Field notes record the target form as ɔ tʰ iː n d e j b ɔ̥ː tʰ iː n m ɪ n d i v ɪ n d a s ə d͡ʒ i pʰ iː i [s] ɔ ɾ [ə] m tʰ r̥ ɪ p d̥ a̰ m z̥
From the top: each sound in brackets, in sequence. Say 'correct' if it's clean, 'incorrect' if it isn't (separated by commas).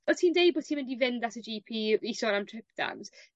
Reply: correct, incorrect